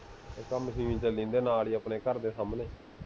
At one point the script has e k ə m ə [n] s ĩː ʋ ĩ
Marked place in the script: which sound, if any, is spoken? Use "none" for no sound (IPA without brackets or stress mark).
none